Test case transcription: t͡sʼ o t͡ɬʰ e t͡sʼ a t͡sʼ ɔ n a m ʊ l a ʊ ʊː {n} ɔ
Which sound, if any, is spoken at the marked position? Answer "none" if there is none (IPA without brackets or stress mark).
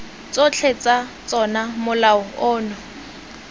n